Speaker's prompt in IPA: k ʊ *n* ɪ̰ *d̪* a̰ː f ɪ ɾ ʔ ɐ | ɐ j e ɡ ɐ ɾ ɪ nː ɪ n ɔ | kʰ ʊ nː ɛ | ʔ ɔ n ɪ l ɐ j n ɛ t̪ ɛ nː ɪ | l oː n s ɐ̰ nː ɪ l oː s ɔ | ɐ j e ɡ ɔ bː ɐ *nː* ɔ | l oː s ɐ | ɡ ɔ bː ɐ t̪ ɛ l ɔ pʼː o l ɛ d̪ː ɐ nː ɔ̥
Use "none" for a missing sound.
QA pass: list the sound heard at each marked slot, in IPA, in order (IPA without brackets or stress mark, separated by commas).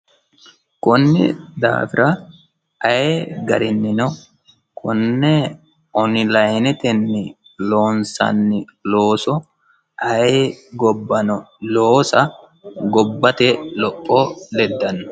nː, d̪, n